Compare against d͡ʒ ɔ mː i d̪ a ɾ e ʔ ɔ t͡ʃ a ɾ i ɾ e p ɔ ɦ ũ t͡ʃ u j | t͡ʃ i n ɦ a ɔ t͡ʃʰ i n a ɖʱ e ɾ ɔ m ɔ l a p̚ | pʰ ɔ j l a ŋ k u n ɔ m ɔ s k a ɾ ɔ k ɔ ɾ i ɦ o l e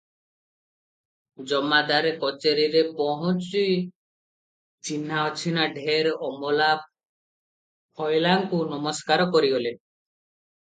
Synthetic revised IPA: d͡ʒ ɔ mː a d̪ a ɾ e k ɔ t͡ʃ e ɾ i ɾ e p ɔ ɦ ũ t͡ʃ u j | t͡ʃ i n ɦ a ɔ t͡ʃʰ i n a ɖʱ e ɾ ɔ m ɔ l a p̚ | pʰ ɔ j l a ŋ k u n ɔ m ɔ s k a ɾ ɔ k ɔ ɾ i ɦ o l e